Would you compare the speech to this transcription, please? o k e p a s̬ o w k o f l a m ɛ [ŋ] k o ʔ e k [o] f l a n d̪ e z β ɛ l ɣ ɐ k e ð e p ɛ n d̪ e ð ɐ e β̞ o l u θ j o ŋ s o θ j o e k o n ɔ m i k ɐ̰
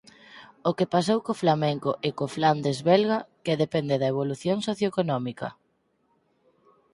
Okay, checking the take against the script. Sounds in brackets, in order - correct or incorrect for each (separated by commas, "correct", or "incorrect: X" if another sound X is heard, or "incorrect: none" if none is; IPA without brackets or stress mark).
correct, correct